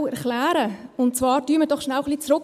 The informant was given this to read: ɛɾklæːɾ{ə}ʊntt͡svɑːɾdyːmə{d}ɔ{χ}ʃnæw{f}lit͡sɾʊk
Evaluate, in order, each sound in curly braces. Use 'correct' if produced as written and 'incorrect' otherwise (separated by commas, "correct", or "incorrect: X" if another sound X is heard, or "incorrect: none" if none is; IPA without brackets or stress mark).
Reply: correct, correct, correct, incorrect: χ